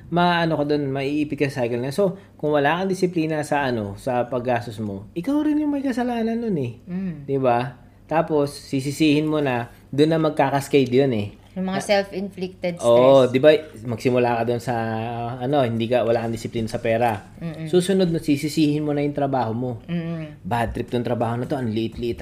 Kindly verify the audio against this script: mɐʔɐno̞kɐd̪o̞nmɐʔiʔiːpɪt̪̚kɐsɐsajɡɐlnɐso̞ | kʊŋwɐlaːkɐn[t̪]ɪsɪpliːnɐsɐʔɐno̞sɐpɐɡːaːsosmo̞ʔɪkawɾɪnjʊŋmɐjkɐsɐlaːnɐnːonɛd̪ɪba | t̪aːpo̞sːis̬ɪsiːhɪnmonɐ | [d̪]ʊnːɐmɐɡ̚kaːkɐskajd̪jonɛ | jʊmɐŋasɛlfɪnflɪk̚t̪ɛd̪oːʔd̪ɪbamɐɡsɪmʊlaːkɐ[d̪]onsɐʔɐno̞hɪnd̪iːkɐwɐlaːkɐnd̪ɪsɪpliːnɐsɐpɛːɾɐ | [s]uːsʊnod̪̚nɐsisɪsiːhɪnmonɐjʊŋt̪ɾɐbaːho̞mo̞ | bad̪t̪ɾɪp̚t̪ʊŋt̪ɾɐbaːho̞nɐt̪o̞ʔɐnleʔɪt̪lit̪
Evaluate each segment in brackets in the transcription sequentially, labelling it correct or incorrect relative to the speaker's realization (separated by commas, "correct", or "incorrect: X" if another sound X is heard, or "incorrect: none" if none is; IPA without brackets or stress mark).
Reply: incorrect: d̪, correct, correct, correct